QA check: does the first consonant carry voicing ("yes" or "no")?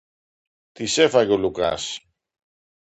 no